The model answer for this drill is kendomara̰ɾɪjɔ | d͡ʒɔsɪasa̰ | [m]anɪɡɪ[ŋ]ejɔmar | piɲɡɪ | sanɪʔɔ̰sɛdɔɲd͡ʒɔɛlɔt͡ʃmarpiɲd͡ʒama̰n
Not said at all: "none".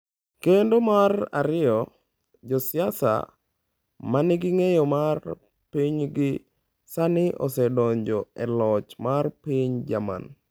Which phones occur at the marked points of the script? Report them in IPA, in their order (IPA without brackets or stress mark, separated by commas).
m, ŋ